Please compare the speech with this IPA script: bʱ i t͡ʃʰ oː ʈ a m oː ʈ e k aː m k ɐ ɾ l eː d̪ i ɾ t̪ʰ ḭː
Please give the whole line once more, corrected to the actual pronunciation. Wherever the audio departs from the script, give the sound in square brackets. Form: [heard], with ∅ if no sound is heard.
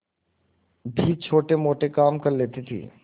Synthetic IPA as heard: bʱ i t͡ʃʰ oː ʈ [e] m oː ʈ e k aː m k ɐ ɾ l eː [t̪] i [∅] t̪ʰ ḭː